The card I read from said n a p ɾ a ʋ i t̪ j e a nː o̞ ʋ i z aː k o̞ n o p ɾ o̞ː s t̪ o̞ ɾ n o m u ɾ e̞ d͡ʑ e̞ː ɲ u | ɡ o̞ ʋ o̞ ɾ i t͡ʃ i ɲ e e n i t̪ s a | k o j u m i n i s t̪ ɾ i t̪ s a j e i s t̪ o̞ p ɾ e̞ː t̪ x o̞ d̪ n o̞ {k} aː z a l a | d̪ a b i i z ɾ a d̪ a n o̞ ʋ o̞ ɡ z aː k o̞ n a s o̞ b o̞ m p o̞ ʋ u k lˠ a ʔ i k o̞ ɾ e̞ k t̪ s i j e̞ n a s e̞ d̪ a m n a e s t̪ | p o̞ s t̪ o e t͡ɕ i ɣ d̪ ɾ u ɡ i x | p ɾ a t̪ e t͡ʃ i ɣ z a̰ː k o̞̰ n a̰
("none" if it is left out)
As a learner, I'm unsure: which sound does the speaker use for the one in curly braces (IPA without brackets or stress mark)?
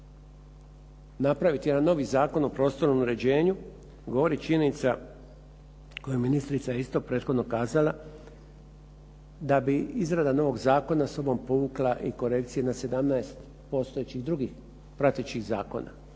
k